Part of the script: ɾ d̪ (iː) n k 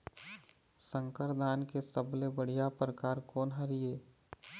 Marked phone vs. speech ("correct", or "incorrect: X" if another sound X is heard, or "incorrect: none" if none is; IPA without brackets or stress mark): incorrect: aː